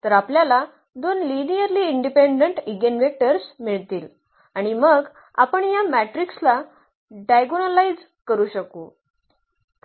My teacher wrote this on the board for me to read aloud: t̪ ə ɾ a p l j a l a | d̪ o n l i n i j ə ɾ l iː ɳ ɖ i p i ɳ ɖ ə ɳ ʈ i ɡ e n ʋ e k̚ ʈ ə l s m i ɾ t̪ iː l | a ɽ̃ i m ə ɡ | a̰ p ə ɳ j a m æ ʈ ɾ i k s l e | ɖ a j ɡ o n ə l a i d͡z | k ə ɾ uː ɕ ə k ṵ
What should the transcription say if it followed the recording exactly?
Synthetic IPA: t̪ ə ɾ a p l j a l a | d̪ o n l i n i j ə ɾ l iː ɳ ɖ i p e ɳ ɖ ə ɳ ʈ i ɡ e n ʋ e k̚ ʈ ə ɾ s m i ɭ t̪ iː l | a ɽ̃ i m ə ɡ | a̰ p ə ɳ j a m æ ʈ ɾ i k s l a | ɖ a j ɡ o n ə l a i d͡z | k ə ɾ uː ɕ ə k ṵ